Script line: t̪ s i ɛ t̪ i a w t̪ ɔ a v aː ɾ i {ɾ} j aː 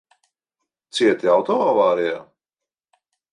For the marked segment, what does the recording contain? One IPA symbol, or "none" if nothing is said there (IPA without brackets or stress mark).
none